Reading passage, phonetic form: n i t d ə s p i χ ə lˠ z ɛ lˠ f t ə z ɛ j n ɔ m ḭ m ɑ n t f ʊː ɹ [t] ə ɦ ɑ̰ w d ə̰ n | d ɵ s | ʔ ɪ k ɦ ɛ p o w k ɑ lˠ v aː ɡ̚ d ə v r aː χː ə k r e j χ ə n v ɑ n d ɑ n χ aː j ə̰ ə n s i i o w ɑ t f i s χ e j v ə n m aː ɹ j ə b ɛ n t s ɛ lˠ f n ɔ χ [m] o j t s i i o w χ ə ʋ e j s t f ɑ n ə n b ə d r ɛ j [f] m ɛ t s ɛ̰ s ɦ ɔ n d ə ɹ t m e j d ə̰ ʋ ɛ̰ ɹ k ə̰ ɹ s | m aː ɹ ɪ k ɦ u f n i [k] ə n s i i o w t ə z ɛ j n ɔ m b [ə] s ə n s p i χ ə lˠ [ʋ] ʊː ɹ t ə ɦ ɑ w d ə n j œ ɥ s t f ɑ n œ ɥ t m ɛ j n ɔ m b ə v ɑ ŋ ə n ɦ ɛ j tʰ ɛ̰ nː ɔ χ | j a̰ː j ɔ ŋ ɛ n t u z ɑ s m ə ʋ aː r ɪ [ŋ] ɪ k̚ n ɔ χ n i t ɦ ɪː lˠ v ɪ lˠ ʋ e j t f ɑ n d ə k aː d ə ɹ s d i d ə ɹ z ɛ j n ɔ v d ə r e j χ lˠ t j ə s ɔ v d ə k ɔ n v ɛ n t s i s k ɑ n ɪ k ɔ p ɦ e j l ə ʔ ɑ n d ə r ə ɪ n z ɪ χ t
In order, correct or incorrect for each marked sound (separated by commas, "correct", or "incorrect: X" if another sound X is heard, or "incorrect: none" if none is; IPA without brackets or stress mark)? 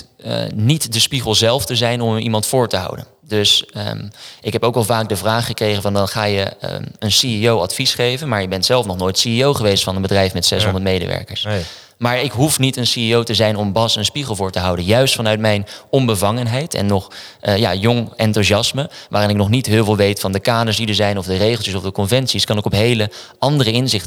correct, incorrect: n, correct, incorrect: t, incorrect: ɑ, incorrect: v, incorrect: n